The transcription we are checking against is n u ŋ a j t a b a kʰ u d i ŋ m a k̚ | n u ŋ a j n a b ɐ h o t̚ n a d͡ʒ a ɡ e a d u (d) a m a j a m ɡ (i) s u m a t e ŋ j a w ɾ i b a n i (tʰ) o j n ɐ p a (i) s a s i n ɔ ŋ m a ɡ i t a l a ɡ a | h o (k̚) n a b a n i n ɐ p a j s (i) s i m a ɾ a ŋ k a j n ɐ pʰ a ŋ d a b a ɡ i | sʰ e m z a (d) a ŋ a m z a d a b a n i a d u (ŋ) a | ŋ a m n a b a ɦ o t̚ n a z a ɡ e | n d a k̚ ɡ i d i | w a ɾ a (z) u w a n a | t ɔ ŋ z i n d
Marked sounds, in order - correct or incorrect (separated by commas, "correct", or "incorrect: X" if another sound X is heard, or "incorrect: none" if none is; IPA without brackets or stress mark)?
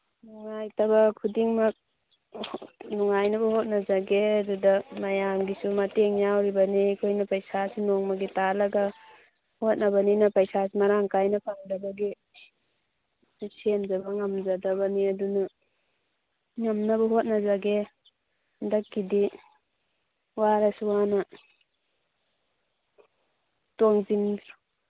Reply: correct, correct, incorrect: kʰ, incorrect: j, incorrect: t̚, incorrect: a, incorrect: b, incorrect: n, incorrect: s